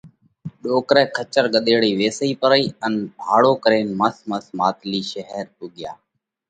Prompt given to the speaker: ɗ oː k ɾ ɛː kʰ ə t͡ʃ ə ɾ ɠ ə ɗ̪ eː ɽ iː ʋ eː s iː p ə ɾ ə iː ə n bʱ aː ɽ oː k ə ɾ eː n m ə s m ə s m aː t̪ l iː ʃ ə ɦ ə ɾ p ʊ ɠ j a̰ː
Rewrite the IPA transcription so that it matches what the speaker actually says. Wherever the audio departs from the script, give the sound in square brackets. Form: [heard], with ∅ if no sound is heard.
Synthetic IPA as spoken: ɗ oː k ɾ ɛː kʰ ə t͡ʃ ə ɾ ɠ ə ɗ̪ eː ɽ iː ʋ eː s iː p ə ɾ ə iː ə n bʱ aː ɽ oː k ə ɾ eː n m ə s m ə s m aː t̪ l iː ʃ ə ɦ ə ɾ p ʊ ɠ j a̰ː